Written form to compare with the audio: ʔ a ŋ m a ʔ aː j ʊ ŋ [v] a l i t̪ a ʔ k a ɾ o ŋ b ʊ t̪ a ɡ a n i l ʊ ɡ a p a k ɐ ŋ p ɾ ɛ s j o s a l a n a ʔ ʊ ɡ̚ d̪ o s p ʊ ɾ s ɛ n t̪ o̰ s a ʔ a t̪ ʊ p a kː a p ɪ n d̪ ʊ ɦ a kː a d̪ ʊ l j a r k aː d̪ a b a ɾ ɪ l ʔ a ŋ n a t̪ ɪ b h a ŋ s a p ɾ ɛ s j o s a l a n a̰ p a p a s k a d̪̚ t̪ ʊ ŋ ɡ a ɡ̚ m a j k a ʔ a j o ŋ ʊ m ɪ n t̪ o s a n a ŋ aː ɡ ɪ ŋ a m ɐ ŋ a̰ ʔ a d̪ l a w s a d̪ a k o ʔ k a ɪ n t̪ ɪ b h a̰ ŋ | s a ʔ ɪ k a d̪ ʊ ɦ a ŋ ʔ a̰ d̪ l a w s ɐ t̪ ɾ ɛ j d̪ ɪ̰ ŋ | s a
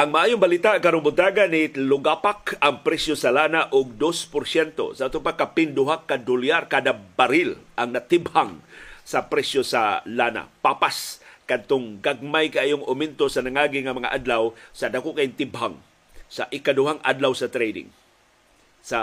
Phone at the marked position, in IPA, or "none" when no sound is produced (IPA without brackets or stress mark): b